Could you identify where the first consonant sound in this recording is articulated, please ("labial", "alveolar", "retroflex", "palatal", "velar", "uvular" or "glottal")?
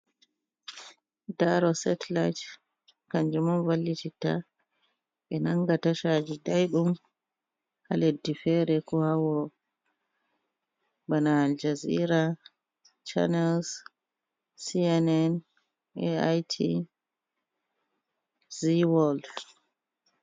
alveolar